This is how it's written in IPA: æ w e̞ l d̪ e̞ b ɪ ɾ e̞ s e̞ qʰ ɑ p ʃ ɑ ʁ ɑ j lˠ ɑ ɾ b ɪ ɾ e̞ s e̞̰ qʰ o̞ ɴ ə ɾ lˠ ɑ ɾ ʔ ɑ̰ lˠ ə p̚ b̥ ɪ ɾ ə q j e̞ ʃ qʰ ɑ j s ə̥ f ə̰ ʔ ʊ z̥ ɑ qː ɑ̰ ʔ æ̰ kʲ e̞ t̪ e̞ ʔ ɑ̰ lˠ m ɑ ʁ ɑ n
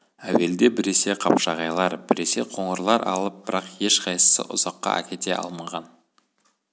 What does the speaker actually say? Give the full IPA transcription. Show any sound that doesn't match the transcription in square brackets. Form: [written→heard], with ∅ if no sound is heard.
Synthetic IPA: æ w e̞ l d̪ e̞ b ɪ ɾ e̞ s e̞ qʰ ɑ p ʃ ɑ ʁ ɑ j lˠ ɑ ɾ b ɪ ɾ e̞ s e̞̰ qʰ o̞ ɴ ə ɾ lˠ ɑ ɾ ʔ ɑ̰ lˠ ə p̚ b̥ ɪ ɾ [ə→ɑ] q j e̞ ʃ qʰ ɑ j s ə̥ [f→s] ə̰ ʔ ʊ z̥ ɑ qː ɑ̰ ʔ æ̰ kʲ e̞ t̪ e̞ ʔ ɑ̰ lˠ m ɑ ʁ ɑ n